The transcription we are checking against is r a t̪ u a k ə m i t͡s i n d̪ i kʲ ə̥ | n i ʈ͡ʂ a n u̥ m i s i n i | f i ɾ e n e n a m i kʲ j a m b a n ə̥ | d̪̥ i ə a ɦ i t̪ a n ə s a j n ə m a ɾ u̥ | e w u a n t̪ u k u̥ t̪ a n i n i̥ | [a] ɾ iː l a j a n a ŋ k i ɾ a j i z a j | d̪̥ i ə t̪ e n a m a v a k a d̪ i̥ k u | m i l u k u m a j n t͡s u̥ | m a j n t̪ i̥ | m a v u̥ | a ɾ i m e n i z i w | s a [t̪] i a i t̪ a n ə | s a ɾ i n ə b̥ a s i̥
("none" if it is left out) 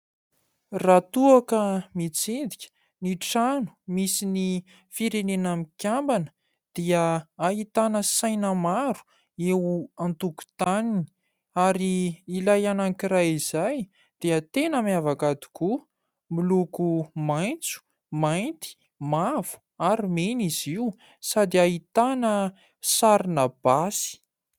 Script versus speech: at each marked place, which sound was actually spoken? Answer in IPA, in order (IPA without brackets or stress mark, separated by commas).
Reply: a, d̪